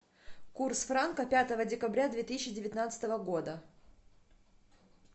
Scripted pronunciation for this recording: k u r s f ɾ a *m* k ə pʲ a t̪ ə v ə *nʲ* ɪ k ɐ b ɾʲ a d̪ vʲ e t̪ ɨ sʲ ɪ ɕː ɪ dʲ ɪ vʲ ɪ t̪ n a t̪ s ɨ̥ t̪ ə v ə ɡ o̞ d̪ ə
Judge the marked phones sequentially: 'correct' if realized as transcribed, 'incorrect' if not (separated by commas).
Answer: incorrect, incorrect